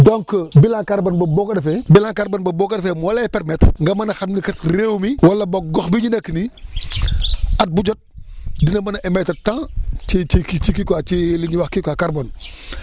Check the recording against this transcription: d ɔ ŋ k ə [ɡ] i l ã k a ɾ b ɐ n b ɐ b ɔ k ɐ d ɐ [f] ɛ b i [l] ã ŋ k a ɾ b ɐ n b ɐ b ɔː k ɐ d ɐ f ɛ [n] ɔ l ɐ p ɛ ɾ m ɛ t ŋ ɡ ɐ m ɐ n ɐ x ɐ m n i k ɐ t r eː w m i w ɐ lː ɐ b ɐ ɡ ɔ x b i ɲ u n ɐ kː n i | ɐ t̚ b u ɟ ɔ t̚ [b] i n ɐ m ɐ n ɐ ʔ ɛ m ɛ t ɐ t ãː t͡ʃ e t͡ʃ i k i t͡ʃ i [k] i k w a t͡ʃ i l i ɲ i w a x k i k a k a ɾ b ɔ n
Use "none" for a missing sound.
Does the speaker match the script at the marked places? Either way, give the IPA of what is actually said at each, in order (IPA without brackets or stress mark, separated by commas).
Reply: b, f, l, m, d, k